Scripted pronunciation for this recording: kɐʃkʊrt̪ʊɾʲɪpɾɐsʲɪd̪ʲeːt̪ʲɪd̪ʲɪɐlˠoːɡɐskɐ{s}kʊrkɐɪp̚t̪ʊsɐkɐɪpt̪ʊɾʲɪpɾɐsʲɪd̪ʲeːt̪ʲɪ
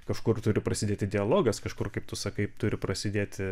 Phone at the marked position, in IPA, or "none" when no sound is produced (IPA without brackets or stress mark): ʃ